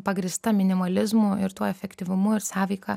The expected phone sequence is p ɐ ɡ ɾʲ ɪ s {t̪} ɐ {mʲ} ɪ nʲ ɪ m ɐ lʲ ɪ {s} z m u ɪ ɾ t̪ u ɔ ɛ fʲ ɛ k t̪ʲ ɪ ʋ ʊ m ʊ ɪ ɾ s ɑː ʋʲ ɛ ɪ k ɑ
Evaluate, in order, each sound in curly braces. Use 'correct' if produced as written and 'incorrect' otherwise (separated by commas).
correct, correct, incorrect